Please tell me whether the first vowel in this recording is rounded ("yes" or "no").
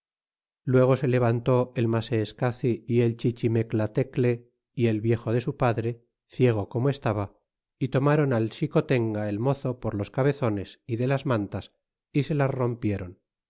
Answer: no